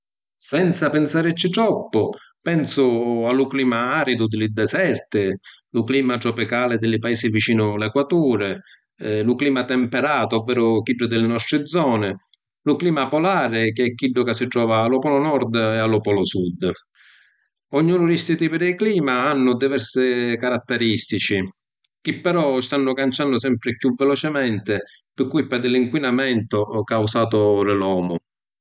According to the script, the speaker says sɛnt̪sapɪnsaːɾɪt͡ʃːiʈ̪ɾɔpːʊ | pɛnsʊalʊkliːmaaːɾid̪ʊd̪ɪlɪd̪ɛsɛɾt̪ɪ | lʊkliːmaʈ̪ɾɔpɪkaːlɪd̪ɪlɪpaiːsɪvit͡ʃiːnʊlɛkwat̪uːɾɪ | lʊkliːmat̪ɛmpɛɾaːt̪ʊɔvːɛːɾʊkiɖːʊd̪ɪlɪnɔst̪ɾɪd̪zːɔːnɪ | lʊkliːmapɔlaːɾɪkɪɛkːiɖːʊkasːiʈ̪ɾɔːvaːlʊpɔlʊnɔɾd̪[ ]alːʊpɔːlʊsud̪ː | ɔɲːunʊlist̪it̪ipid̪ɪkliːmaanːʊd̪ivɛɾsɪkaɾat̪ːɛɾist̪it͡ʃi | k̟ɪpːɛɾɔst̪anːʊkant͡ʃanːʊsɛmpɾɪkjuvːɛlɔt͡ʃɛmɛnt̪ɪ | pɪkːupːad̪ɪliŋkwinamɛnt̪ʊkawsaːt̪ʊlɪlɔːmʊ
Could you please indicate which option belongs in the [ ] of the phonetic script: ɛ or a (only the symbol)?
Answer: ɛ